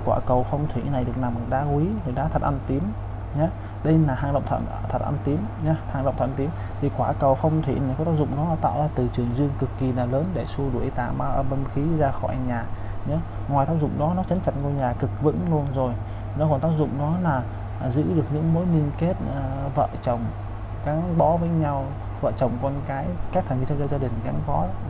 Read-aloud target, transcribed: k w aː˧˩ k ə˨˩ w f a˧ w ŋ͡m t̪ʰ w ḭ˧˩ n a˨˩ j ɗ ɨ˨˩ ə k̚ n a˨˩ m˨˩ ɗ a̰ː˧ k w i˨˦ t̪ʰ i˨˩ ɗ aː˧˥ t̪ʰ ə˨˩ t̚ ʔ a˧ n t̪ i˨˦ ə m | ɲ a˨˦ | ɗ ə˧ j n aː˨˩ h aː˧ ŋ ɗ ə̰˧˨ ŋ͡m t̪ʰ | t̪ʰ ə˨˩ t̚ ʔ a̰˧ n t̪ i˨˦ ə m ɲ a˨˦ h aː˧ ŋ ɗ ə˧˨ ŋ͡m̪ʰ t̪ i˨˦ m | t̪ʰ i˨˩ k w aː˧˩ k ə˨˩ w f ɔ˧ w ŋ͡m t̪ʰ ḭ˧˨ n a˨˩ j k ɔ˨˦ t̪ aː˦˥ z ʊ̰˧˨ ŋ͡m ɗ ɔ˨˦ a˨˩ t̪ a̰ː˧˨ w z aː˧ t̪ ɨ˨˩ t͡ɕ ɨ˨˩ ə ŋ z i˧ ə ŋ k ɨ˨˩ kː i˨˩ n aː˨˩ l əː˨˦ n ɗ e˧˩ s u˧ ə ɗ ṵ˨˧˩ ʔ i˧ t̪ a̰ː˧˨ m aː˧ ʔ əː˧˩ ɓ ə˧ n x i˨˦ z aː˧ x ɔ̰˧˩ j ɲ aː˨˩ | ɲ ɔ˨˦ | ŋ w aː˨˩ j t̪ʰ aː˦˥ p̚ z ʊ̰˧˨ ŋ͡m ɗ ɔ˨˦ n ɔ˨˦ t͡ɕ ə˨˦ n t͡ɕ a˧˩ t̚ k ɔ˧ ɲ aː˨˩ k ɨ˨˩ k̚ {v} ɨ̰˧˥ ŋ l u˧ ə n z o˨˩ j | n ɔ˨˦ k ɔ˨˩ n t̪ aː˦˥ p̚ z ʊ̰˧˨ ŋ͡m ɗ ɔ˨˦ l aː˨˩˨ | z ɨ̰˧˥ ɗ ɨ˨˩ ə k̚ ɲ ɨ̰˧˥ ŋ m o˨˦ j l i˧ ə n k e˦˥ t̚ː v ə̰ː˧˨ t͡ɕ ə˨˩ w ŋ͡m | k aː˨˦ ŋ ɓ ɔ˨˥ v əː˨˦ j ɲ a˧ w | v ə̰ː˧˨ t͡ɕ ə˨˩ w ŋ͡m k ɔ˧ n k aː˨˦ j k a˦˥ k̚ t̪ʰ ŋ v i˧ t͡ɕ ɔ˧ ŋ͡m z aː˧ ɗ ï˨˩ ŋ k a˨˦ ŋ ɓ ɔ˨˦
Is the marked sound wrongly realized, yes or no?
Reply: no